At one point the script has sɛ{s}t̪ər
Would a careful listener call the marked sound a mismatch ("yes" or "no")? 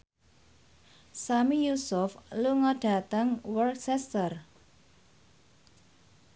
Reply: no